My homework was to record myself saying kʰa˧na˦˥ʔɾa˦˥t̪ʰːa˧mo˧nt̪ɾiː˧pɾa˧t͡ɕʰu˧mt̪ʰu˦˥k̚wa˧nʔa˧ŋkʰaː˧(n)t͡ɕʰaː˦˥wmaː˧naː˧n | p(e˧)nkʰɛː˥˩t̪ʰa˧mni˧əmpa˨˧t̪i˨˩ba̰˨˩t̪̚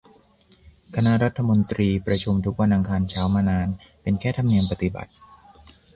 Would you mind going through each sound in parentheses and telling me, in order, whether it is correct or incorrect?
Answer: correct, correct

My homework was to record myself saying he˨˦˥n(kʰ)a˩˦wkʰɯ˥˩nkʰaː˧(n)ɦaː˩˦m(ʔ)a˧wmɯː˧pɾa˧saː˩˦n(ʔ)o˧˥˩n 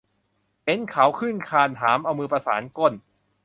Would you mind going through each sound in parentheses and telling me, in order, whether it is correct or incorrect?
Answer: correct, correct, correct, incorrect

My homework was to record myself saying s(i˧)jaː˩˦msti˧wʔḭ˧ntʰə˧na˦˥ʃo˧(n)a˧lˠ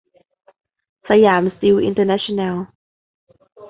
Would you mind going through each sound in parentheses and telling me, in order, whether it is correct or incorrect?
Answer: incorrect, correct

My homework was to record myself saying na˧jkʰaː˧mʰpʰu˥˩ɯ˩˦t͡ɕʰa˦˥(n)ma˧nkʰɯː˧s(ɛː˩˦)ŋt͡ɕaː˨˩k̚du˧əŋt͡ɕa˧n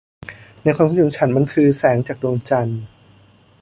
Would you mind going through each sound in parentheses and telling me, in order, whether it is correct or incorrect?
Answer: correct, correct

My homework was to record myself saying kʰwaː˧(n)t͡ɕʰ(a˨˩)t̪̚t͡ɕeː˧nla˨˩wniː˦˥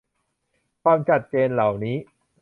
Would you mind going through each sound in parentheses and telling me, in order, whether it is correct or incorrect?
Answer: incorrect, correct

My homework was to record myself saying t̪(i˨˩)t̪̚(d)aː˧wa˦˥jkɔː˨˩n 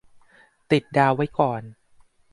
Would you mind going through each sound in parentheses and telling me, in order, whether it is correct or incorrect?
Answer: correct, correct

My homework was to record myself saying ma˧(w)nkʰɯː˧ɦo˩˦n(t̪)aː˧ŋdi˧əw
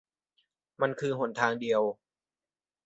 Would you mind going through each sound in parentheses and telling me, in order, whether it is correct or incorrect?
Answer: incorrect, incorrect

